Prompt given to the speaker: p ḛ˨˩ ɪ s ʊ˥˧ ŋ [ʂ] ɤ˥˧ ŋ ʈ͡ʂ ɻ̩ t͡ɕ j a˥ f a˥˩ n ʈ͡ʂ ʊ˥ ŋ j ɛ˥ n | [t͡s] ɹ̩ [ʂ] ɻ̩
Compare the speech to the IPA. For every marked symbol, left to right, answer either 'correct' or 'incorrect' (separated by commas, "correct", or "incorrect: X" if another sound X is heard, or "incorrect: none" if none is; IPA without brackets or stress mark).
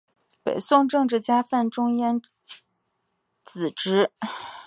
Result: incorrect: ʈ͡ʂ, correct, incorrect: ʈ͡ʂ